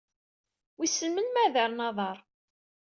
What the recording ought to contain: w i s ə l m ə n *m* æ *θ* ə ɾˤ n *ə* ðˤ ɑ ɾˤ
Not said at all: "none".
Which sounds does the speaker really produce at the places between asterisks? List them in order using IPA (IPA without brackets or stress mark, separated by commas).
m, ð, ɑ